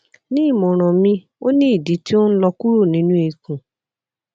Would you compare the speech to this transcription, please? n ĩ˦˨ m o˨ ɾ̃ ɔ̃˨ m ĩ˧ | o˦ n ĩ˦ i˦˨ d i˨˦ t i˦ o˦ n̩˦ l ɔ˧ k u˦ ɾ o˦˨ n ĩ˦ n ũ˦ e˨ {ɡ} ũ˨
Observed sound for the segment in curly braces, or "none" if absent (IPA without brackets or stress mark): k